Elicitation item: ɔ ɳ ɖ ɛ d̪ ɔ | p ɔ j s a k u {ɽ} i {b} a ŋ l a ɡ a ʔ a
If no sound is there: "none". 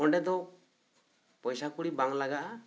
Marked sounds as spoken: ɽ, b

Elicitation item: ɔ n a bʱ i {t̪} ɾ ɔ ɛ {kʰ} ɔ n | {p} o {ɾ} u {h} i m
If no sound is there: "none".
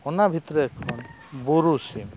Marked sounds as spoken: t̪, kʰ, b, ɾ, s

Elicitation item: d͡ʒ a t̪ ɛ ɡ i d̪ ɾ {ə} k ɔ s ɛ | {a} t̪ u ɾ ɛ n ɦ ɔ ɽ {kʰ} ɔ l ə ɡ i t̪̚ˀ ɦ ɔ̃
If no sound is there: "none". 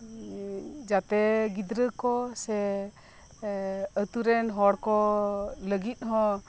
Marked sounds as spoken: ə, ə, k

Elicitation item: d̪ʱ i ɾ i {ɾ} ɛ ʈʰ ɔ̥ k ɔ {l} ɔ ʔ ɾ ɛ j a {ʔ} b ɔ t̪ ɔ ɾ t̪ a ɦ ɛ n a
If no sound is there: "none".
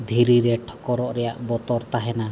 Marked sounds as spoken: ɾ, ɾ, ʔ

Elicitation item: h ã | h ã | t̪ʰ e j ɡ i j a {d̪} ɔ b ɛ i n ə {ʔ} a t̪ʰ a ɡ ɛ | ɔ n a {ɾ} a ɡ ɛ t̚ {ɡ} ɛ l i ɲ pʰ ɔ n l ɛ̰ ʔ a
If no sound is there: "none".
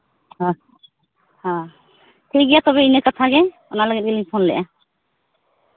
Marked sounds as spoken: t̪, k, l, ɡ

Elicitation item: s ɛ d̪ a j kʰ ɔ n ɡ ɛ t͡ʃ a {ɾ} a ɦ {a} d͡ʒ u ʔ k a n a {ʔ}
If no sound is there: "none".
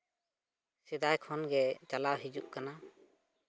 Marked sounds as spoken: l, i, none

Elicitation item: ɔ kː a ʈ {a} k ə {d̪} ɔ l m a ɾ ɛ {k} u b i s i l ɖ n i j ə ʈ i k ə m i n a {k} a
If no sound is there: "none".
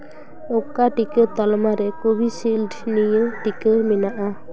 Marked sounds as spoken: i, t̪, k, ʔ

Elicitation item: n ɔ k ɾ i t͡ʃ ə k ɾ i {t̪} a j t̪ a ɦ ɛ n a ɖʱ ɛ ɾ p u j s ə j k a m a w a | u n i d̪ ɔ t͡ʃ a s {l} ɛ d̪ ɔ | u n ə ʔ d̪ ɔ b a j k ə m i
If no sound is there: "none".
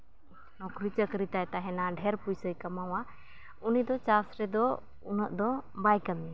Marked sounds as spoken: t̪, ɾ

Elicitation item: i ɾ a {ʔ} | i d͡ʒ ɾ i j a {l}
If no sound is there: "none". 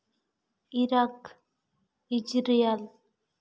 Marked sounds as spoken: k, l

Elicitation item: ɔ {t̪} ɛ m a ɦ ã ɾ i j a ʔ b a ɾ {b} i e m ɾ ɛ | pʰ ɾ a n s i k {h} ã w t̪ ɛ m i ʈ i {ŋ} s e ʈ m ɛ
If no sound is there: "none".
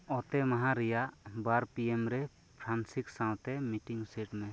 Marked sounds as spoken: t̪, p, s, ŋ

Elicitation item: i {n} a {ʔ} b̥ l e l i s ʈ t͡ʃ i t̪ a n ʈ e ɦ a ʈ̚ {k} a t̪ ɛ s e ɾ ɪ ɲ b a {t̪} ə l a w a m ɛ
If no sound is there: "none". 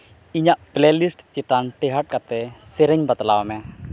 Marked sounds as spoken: ɲ, ʔ, k, t̪

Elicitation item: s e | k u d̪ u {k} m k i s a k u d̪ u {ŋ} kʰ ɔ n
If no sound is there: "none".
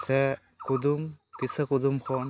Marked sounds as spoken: none, m

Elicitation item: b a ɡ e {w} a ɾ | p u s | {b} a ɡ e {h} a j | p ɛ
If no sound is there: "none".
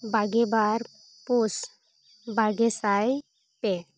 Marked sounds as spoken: b, b, s

